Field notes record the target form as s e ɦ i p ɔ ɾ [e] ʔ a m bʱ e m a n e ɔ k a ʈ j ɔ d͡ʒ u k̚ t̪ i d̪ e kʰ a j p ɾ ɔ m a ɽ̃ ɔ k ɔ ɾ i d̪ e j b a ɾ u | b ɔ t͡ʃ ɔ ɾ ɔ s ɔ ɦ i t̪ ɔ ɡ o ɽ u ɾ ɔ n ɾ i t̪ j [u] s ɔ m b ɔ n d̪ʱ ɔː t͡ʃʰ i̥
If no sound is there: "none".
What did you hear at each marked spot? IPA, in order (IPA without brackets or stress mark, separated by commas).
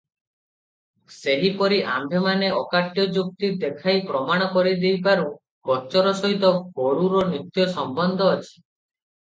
i, ɔ